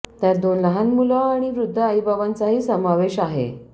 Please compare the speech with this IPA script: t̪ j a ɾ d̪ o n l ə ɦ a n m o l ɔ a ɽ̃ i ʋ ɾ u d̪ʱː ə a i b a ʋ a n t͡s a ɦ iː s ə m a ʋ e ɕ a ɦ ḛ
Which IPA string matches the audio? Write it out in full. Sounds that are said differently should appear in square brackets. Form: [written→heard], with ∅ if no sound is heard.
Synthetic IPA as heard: t̪ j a ɾ d̪ o n l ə ɦ a n m [o→u] l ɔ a ɽ̃ i ʋ ɾ u d̪ʱː ə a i b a ʋ a n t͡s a ɦ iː s ə m a ʋ e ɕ a ɦ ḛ